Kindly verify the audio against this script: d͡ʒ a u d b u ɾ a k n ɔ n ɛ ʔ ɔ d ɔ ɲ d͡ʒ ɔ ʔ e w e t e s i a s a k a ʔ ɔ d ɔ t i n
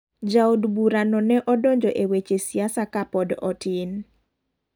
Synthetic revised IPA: d͡ʒ a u d b u ɾ a n ɔ n ɛ ʔ ɔ d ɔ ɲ d͡ʒ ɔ ʔ e w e t͡ʃ e s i a s a k a p ɔ d ɔ t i n